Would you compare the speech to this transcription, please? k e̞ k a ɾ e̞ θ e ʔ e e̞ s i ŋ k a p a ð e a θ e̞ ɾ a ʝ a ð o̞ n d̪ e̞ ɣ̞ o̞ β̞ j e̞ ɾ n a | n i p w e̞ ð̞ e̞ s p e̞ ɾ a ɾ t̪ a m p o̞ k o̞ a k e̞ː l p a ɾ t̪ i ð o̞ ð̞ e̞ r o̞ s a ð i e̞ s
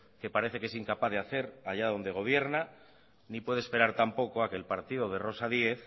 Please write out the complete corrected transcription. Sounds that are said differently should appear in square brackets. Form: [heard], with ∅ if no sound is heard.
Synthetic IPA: k e̞ [p] a ɾ e̞ θ e [k] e e̞ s i ŋ k a p a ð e a θ e̞ ɾ a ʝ a ð o̞ n d̪ e̞ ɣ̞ o̞ β̞ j e̞ ɾ n a | n i p w e̞ ð̞ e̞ s p e̞ ɾ a ɾ t̪ a m p o̞ k o̞ a k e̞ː l p a ɾ t̪ i ð o̞ ð̞ e̞ r o̞ s a ð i e̞ [θ]